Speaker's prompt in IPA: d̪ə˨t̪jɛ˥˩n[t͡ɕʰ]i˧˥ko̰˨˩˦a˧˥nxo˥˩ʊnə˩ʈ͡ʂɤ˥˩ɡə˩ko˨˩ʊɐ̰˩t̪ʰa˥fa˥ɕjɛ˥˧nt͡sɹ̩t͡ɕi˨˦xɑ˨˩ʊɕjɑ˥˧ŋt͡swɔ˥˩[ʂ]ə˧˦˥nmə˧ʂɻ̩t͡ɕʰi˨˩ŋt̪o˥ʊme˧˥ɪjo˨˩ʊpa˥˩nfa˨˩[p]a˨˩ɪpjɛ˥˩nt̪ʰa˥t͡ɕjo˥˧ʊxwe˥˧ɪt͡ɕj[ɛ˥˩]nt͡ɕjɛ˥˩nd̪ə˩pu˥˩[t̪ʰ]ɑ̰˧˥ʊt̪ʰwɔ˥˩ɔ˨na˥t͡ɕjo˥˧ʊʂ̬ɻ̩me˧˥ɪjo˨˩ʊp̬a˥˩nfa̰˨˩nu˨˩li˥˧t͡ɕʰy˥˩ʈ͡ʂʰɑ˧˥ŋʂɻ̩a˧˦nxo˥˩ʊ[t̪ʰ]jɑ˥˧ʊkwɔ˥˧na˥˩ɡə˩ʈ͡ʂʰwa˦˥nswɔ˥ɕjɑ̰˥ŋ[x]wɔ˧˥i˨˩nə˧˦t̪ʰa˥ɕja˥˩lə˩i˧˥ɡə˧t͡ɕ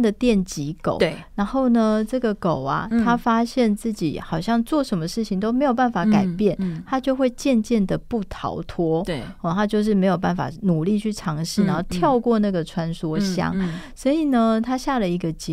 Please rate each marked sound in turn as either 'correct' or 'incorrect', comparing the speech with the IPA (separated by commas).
incorrect, correct, incorrect, incorrect, correct, correct, incorrect